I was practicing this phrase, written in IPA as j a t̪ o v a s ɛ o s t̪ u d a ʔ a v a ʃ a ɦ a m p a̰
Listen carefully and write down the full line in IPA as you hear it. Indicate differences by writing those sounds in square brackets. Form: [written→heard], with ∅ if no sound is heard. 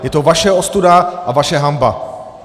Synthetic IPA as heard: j [a→ɛ] t̪ o v a [s→ʃ] ɛ o s t̪ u d a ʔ a v a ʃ [a→ɛ] ɦ a m [p→b] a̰